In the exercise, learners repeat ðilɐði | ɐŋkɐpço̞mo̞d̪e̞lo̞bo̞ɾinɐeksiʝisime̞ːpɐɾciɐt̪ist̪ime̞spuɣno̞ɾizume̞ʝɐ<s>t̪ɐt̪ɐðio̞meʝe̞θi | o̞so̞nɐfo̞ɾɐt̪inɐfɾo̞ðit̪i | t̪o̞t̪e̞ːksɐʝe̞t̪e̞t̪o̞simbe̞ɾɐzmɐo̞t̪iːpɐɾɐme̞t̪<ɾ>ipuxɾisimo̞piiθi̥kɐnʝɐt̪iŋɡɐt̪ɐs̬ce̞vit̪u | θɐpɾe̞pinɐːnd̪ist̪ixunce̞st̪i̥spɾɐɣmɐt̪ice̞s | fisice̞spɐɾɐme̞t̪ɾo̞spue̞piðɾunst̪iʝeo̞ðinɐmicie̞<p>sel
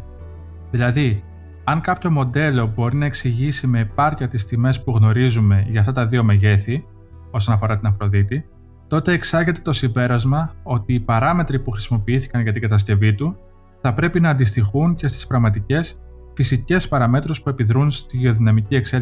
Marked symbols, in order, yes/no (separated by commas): no, yes, no